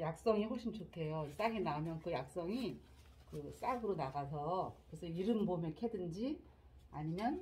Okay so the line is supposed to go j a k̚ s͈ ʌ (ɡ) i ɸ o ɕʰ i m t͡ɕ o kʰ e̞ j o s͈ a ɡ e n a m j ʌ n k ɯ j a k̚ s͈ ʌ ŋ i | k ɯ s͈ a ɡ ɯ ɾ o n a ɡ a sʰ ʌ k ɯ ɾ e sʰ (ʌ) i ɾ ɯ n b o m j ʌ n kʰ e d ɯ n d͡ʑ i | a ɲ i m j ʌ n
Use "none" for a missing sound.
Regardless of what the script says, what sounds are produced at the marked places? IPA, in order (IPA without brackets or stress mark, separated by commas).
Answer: ŋ, ʌ